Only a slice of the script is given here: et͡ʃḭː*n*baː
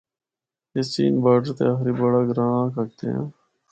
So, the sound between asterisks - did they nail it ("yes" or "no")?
yes